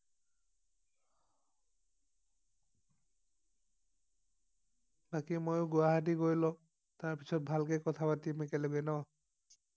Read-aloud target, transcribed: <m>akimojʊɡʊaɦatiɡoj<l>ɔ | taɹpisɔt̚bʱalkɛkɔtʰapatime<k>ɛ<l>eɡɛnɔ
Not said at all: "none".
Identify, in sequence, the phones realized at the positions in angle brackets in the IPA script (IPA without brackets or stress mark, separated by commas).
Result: b, l, k, l